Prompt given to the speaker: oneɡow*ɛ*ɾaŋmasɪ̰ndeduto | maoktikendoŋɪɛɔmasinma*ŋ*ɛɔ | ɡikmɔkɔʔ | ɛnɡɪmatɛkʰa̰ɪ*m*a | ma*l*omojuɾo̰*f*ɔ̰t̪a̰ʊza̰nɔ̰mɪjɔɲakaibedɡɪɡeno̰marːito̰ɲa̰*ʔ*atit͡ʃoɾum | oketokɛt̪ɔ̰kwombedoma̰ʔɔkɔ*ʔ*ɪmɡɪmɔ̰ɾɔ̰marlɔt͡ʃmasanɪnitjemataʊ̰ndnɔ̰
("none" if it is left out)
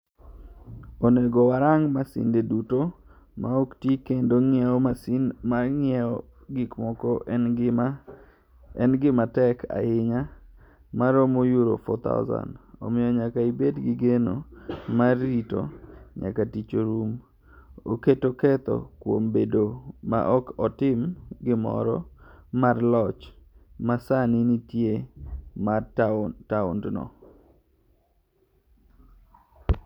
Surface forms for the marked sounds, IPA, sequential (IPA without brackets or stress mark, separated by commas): a, ŋ, ɲ, ɾ, f, k, t